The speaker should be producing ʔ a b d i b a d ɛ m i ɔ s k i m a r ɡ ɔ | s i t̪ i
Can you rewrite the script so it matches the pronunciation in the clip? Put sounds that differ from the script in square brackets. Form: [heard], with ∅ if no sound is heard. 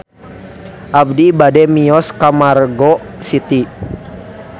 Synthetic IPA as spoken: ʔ a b d i b a d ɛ m i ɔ s k [a] m a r ɡ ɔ | s i t̪ i